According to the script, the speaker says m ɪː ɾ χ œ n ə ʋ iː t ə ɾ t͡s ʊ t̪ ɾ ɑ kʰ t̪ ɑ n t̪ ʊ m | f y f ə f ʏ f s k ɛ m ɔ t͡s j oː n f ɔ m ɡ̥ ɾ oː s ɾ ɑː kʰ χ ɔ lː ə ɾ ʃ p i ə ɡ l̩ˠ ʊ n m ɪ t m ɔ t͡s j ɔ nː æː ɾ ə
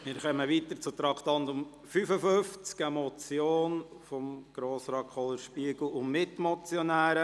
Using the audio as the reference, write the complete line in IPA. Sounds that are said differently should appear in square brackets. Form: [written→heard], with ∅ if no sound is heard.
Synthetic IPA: m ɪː ɾ χ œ [n→m] ə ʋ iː t ə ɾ t͡s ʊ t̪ ɾ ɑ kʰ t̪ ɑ n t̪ ʊ m | f y f ə f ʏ f [s→t͡s] k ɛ m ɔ t͡s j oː n f ɔ m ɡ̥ ɾ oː s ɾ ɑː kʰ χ ɔ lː ə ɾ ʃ p i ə ɡ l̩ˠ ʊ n m ɪ t m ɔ t͡s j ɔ [nː→n] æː ɾ ə